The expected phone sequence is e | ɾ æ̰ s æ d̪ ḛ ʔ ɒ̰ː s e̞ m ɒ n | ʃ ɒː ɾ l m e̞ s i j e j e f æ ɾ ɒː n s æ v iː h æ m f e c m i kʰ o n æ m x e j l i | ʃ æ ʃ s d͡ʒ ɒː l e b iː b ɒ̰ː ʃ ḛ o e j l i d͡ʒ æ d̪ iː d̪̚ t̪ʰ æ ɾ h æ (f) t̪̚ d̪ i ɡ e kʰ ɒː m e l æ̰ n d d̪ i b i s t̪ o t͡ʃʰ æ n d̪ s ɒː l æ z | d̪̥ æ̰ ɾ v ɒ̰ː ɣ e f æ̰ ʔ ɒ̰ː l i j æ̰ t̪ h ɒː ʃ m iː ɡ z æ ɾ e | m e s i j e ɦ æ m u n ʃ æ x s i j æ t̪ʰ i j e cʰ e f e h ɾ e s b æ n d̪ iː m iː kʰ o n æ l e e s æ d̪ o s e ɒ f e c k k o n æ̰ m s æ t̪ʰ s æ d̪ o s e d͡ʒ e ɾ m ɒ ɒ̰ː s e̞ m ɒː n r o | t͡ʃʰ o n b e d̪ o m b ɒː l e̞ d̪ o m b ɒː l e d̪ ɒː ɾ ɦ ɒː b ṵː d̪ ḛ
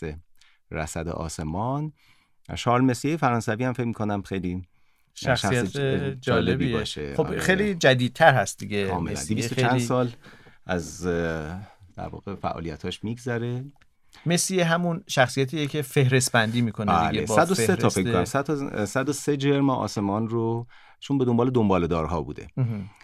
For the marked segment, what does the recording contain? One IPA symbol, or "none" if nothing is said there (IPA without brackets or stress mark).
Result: s